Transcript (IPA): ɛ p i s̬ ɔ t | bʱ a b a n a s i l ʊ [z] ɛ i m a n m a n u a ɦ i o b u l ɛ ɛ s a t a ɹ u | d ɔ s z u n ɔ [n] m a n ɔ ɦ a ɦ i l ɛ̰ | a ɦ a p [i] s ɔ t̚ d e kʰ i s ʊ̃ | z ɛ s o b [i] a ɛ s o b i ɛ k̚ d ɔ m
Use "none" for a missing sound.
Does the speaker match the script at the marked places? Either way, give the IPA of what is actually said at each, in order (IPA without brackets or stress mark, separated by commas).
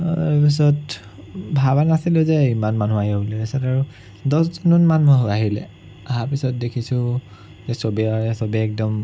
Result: z, n, i, i